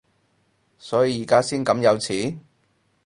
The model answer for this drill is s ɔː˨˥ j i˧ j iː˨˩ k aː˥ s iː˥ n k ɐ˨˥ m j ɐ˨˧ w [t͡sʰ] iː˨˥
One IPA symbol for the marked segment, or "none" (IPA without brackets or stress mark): t͡sʰ